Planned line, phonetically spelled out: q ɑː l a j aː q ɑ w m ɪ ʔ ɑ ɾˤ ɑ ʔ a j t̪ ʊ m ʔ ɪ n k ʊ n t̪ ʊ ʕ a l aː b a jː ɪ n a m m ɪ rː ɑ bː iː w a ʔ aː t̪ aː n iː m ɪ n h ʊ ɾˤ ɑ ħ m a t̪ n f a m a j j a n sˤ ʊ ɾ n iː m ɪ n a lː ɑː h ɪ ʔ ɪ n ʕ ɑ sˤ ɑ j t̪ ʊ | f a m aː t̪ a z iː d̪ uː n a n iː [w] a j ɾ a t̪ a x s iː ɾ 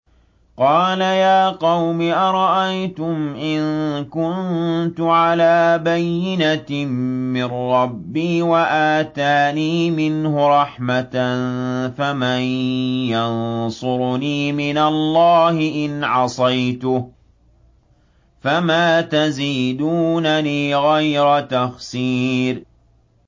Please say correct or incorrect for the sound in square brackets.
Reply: incorrect